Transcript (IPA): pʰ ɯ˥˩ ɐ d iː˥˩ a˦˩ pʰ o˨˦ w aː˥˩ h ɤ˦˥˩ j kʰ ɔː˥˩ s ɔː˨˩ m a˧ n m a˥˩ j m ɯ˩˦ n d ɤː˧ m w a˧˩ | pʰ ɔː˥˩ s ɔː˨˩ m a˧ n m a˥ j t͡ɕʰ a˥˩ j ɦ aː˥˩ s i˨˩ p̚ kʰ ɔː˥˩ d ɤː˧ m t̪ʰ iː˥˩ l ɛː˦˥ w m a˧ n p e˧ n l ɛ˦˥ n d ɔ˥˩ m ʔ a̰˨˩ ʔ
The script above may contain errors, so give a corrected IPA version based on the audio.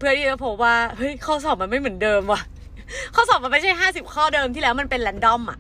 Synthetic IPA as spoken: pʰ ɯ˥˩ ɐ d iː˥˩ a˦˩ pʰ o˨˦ w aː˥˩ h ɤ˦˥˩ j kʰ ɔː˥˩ s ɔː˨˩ m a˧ n m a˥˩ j m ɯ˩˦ n d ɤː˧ m w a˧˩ | kʰ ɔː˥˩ s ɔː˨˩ m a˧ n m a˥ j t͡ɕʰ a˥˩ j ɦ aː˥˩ s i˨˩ p̚ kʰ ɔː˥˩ d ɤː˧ m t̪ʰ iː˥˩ l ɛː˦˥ w m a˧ n p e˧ n l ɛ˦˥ n d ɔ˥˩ m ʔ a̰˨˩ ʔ